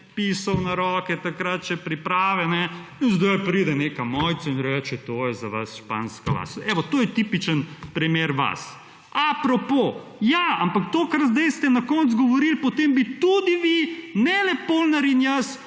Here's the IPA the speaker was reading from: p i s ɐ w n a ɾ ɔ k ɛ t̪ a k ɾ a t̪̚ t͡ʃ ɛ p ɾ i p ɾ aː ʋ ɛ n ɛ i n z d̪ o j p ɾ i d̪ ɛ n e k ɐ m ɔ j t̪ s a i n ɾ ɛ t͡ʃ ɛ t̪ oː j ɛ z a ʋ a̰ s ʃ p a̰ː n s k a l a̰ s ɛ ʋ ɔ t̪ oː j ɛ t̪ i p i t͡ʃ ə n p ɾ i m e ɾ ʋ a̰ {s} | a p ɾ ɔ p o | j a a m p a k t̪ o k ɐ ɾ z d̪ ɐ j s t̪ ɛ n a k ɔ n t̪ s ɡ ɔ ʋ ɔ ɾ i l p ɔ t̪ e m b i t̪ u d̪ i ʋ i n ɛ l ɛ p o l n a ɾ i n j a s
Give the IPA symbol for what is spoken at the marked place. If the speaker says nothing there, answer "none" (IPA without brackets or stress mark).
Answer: s